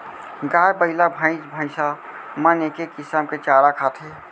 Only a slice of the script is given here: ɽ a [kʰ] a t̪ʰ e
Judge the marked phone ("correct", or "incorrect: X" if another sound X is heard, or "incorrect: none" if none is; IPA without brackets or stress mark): correct